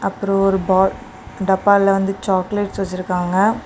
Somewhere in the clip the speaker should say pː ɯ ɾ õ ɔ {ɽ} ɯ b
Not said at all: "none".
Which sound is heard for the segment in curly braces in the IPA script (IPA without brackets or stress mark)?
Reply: ɾ